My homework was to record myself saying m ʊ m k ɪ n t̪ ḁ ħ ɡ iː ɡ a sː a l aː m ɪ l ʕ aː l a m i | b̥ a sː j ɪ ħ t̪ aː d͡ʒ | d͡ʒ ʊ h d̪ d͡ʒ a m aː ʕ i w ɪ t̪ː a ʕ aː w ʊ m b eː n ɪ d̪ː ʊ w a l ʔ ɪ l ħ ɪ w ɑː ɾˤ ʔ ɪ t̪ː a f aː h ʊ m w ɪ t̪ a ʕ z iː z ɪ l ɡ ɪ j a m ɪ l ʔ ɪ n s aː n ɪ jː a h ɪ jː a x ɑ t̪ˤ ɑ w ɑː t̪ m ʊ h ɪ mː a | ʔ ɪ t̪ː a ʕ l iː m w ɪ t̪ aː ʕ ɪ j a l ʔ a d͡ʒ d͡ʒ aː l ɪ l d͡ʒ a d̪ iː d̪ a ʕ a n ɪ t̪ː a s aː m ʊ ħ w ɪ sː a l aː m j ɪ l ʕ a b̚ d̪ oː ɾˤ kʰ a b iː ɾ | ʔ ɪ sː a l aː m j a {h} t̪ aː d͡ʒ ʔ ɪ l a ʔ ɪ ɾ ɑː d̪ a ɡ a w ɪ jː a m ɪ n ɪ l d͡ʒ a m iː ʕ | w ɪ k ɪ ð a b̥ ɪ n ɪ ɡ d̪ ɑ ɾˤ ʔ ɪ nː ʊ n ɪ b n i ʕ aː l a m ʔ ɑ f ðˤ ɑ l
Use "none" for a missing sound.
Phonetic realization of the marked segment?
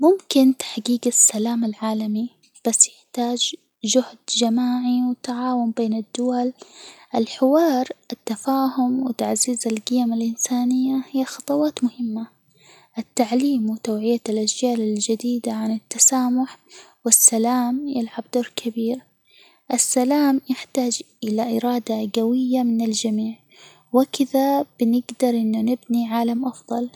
ħ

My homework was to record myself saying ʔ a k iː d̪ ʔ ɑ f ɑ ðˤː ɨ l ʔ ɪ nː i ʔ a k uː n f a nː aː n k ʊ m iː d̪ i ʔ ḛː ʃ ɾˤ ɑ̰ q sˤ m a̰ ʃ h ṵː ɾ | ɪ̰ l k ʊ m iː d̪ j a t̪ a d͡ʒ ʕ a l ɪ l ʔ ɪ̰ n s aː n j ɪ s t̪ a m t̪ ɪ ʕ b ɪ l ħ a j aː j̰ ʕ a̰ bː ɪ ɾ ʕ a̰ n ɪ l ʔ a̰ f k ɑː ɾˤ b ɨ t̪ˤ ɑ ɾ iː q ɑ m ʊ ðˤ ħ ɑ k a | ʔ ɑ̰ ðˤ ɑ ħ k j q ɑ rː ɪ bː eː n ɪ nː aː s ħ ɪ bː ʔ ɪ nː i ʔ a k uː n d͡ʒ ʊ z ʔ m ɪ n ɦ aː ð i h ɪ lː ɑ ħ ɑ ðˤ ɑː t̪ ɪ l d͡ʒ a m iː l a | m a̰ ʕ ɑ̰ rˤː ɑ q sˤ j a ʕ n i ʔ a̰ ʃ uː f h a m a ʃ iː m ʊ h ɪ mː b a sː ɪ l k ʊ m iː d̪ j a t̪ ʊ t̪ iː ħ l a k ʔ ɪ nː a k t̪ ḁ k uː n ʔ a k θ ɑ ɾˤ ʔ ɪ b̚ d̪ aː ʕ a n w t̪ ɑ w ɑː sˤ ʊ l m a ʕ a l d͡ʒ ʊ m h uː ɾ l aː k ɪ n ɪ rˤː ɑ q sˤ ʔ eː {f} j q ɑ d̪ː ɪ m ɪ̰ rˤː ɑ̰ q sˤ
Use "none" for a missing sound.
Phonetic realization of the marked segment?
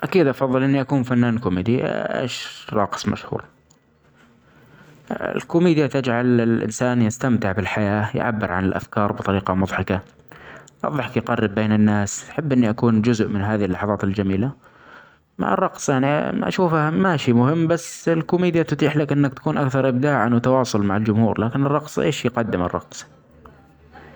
ʃ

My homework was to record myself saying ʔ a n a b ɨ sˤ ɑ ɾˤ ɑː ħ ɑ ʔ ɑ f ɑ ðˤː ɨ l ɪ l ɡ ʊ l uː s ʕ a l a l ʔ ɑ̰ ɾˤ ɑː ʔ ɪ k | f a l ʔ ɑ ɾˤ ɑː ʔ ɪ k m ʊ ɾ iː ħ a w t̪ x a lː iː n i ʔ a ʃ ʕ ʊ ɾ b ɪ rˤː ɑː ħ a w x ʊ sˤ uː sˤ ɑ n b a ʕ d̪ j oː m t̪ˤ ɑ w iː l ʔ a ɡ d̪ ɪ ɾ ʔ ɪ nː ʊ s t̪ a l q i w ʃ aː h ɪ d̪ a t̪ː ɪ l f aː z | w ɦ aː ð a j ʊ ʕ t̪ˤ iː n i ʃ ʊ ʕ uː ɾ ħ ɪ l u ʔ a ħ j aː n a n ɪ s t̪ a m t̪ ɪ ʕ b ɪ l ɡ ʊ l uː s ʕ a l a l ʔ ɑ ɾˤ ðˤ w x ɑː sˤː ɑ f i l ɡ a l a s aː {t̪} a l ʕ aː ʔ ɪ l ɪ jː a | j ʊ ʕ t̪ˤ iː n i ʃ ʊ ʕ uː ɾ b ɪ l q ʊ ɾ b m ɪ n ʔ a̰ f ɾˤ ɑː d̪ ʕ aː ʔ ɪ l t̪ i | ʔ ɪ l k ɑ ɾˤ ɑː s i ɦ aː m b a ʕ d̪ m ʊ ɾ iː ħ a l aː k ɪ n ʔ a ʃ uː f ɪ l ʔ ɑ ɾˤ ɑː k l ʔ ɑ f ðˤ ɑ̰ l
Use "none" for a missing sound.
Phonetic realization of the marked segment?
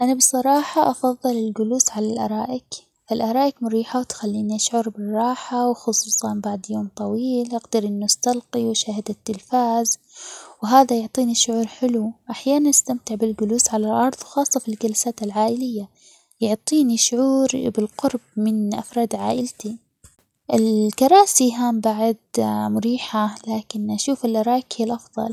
t̪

